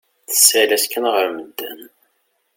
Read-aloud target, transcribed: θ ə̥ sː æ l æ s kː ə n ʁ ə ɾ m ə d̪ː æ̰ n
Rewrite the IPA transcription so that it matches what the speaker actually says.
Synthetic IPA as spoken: θ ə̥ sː æ l æ s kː ə n ʁ ə ɾ m ə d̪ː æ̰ n